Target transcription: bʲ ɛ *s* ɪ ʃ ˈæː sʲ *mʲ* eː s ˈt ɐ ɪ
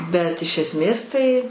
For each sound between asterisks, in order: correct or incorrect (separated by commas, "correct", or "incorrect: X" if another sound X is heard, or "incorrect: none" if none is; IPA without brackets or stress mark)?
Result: incorrect: t, correct